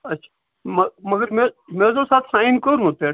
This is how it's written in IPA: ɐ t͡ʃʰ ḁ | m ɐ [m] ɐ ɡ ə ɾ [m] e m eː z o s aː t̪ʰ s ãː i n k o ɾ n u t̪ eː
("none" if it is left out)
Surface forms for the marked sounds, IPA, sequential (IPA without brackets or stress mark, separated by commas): m, m